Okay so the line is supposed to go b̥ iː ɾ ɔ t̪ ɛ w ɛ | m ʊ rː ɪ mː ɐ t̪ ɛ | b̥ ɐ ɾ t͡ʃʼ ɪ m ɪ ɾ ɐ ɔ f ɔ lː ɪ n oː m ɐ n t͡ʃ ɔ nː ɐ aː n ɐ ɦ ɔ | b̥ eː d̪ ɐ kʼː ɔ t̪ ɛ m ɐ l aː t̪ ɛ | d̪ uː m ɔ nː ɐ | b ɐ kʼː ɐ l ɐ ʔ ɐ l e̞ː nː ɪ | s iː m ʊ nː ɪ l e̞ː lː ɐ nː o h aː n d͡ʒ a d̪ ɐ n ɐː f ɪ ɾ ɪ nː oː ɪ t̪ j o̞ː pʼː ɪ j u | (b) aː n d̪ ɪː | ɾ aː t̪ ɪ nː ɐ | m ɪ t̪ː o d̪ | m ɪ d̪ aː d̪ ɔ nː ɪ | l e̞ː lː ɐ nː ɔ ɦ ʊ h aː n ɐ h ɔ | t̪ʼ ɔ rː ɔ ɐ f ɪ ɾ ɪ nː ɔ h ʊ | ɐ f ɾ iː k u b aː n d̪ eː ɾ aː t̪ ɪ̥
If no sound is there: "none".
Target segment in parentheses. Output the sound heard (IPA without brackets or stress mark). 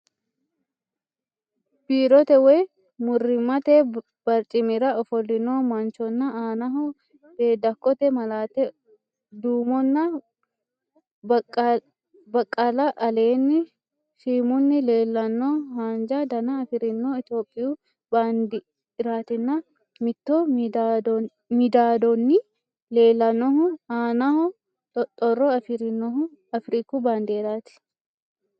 b